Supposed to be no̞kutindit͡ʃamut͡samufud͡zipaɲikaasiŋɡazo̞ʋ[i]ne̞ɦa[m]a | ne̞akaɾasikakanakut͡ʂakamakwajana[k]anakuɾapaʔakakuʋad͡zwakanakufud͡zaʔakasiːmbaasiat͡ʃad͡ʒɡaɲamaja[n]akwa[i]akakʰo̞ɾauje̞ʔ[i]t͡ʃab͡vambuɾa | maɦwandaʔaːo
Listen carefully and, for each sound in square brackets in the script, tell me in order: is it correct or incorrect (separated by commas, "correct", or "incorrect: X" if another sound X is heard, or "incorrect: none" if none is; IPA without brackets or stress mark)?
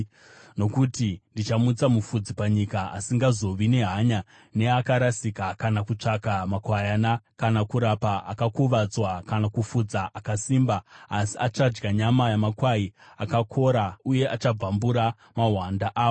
correct, incorrect: ɲ, correct, incorrect: m, correct, incorrect: a